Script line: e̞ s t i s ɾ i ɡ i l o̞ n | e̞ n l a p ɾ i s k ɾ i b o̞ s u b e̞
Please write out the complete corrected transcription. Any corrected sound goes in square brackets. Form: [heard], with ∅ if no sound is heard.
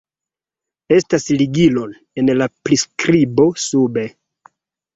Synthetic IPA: e̞ s t [a] s [l] i ɡ i l o̞ n | e̞ n l a p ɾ i s k ɾ i b o̞ s u b e̞

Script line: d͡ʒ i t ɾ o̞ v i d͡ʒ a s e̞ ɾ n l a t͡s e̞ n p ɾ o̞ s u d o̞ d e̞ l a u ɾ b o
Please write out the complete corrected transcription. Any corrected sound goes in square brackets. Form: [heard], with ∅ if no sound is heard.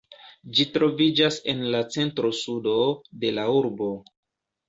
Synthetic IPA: d͡ʒ i t ɾ o̞ v i d͡ʒ a s e̞ [∅] n l a t͡s e̞ n [t] ɾ o̞ s u d o̞ d e̞ l a u ɾ b o

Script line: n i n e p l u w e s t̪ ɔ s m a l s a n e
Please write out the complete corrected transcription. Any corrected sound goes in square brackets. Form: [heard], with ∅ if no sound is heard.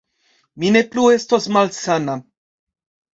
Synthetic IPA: [m] i n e p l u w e s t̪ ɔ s m a l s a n [a]

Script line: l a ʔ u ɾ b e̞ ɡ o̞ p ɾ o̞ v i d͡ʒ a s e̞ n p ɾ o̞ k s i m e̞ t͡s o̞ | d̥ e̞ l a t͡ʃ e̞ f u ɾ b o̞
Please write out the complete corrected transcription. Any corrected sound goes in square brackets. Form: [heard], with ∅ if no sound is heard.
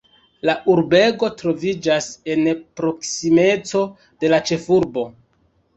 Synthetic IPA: l a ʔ u ɾ b e̞ ɡ o̞ [t] ɾ o̞ v i d͡ʒ a s e̞ n p ɾ o̞ k s i m e̞ t͡s o̞ | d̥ e̞ l a t͡ʃ e̞ f u ɾ b o̞

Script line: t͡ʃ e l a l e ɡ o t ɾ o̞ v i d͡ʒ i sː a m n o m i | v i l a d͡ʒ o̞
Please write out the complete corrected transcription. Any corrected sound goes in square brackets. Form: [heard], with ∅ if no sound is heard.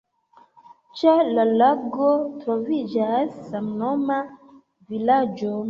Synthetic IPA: t͡ʃ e l a l [a] ɡ o t ɾ o̞ v i d͡ʒ [a] sː a m n o m [a] | v i l a d͡ʒ o̞

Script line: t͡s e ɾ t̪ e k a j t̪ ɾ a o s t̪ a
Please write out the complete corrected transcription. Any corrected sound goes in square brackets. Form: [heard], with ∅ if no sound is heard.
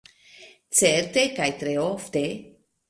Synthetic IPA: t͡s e ɾ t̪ e k a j t̪ ɾ [e] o [f] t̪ [e]

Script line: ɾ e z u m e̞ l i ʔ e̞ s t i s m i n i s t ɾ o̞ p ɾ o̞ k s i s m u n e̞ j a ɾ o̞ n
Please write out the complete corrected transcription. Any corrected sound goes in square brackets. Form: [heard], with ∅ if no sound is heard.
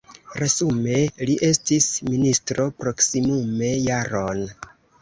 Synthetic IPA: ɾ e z u m e̞ l i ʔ e̞ s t i s m i n i s t ɾ o̞ p ɾ o̞ k s i [∅] m u [m] e̞ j a ɾ o̞ n

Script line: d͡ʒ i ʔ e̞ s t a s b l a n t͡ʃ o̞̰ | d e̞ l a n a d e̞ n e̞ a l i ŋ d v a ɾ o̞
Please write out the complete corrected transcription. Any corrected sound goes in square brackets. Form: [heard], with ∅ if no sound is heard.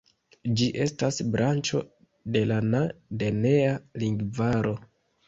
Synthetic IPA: d͡ʒ i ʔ e̞ s t a s b [ɾ] a n t͡ʃ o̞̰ | d e̞ l a n a d e̞ n e̞ a l i ŋ [ɡ] v a ɾ o̞

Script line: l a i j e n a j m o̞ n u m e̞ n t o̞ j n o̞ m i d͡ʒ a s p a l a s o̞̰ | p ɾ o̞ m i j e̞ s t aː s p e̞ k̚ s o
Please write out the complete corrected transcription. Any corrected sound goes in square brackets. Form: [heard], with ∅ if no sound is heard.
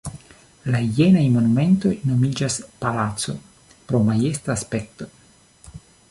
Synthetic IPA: l a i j e n a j m o̞ n u m e̞ n t o̞ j n o̞ m i d͡ʒ a s p a l a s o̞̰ | p ɾ o̞ m [a] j e̞ s t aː s p e̞ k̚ [t] o

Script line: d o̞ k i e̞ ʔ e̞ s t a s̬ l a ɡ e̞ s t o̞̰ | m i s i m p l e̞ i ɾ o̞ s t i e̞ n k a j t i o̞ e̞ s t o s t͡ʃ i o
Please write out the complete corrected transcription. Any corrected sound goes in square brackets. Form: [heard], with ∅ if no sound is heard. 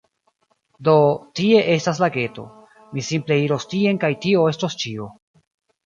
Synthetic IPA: d o̞ [t] i e̞ ʔ e̞ s t a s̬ l a ɡ e̞ [∅] t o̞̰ | m i s i m p l e̞ i ɾ o̞ s t i e̞ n k a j t i o̞ e̞ s t o s t͡ʃ i o

